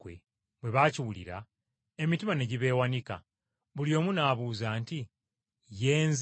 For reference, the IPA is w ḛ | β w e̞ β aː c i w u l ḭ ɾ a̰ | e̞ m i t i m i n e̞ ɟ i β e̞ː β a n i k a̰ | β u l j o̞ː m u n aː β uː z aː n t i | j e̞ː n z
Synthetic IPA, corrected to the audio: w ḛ | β w e̞ β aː c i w u l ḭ ɾ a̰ | e̞ m i t i m a n e̞ ɟ i β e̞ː w a n i k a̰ | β u l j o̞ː m u n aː β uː z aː n t i | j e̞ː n z